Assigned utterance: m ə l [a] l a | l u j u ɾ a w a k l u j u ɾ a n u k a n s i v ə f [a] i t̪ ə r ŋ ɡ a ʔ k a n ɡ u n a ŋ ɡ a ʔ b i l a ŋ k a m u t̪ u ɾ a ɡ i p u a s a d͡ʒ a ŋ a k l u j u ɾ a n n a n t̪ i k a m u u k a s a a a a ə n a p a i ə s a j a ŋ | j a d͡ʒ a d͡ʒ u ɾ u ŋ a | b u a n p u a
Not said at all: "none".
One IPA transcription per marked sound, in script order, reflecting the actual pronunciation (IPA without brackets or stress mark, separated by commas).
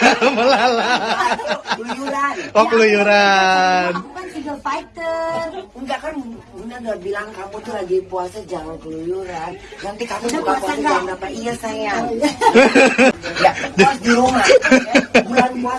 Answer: a, a